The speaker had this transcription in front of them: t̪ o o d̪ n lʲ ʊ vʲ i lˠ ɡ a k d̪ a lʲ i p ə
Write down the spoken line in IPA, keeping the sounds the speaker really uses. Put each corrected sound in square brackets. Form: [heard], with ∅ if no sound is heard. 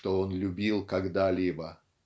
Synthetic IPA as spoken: t̪ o o [∅] n lʲ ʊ [bʲ] i lˠ [k] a [ɡ] d̪ a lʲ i [b] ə